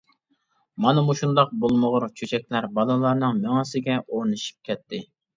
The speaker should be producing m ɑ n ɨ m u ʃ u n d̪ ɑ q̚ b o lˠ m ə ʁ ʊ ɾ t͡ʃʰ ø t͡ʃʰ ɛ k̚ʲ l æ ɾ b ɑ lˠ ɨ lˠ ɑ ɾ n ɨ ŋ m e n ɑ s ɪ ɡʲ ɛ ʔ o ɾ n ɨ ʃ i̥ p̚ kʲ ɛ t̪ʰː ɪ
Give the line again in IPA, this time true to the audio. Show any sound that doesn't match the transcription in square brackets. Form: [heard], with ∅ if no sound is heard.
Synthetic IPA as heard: m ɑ n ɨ m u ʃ u n d̪ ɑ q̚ b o lˠ m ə ʁ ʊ ɾ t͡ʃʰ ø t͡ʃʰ ɛ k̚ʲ l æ ɾ b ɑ lˠ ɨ lˠ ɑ ɾ n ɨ ŋ m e [ŋ] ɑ s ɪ ɡʲ ɛ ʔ o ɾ n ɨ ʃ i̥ p̚ kʲ ɛ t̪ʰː ɪ